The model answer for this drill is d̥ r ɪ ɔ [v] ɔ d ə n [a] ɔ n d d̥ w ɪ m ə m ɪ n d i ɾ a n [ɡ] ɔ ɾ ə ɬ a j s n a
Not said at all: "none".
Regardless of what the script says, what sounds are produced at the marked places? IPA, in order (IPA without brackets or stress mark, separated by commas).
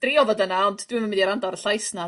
v, a, d